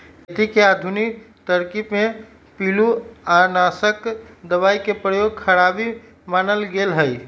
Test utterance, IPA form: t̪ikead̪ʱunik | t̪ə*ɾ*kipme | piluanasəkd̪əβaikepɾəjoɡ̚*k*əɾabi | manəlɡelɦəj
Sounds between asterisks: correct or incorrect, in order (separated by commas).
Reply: correct, incorrect